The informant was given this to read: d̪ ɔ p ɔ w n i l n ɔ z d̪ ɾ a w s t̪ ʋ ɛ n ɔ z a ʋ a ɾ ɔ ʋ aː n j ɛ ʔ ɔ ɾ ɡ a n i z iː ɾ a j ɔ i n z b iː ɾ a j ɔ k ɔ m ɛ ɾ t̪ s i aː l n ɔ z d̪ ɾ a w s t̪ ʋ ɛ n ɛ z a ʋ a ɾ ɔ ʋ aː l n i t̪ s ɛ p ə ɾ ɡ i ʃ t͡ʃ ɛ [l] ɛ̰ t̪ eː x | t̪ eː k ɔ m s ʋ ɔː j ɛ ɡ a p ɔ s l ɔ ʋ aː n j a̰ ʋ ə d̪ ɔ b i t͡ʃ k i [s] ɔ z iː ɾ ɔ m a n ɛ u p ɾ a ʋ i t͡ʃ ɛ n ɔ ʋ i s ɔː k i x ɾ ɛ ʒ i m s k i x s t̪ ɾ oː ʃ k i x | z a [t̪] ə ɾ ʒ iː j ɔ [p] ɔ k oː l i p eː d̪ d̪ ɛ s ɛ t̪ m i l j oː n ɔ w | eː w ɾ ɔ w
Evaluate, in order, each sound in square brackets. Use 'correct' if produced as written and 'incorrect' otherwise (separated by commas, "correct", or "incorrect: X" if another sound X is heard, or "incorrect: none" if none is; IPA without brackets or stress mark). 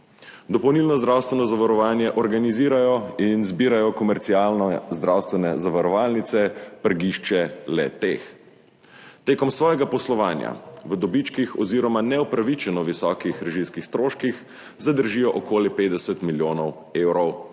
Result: correct, incorrect: x, incorrect: d̪, incorrect: ʔ